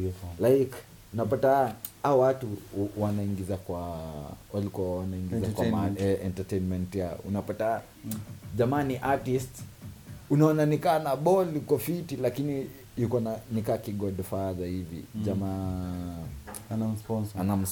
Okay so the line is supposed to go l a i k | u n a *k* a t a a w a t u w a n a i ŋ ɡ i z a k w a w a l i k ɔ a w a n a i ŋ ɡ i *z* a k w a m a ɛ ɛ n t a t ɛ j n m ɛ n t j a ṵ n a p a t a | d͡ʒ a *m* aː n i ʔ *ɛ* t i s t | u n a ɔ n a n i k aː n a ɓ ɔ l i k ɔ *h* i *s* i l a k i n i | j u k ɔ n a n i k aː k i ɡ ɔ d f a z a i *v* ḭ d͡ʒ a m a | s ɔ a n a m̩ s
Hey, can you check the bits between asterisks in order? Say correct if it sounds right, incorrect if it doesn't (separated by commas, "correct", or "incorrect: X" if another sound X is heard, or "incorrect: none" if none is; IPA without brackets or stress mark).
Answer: incorrect: p, correct, correct, incorrect: a, incorrect: f, incorrect: t, correct